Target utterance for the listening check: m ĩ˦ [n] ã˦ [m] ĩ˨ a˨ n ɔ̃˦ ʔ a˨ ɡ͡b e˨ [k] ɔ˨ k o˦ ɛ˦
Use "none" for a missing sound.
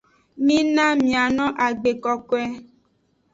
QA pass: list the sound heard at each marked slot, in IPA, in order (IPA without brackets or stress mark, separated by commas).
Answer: n, m, k